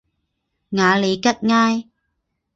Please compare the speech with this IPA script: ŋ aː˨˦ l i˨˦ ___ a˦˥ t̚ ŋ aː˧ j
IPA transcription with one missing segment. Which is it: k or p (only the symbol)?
k